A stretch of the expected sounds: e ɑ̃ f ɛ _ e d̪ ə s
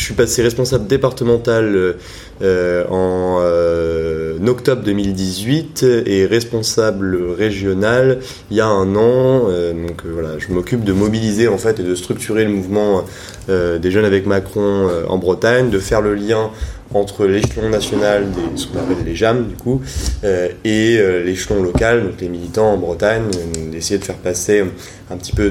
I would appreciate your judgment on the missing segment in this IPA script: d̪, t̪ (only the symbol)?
t̪